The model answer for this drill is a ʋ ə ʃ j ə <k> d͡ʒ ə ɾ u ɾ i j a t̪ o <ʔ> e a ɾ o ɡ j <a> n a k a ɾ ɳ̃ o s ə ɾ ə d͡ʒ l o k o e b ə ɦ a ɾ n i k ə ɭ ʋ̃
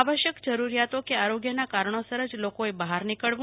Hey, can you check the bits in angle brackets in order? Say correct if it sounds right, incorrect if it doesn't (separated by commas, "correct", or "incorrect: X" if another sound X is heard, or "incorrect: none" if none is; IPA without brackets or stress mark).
correct, incorrect: k, incorrect: ə